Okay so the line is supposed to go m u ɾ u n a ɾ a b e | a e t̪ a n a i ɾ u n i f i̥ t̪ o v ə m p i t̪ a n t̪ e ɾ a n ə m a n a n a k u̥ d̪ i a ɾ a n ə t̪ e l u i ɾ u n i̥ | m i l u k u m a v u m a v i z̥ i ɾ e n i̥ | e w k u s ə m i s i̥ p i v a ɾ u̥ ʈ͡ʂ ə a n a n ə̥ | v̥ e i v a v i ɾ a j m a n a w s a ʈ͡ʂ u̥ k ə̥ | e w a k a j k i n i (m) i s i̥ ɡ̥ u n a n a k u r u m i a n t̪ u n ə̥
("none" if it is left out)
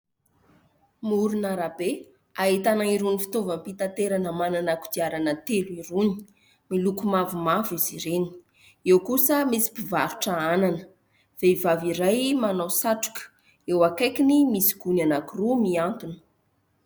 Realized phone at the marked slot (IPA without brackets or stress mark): m